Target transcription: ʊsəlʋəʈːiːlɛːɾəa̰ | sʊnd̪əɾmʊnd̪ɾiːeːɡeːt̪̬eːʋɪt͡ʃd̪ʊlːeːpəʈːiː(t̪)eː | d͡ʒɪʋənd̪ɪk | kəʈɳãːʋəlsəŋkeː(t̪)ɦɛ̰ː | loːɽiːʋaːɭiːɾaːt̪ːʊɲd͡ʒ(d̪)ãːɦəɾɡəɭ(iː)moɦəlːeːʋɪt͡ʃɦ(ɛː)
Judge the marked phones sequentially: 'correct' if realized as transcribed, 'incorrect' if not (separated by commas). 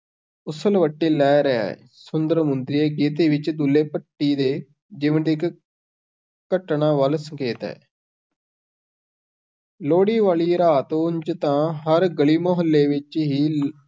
incorrect, correct, incorrect, correct, incorrect